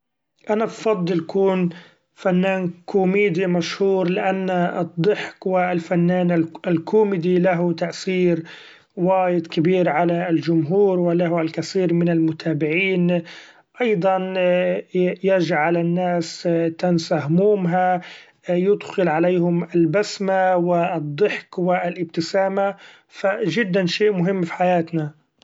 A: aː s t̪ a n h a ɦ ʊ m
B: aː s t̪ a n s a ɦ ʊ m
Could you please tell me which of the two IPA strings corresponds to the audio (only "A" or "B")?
B